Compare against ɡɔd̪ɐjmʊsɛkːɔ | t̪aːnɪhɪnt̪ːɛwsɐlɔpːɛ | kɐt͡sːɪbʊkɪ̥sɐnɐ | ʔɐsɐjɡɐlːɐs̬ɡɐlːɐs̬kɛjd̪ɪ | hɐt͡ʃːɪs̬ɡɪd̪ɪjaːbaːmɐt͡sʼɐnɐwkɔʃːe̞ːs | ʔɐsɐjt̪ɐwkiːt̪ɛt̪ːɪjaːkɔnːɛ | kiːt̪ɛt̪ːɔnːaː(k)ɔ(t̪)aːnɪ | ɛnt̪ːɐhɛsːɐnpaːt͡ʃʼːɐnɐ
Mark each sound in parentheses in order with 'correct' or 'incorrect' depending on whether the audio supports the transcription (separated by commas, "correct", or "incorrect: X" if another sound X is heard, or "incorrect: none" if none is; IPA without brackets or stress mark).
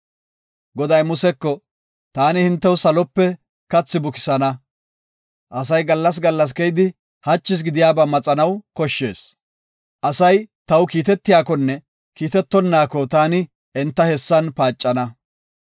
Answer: correct, correct